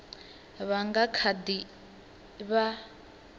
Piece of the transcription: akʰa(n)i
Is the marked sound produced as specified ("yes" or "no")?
no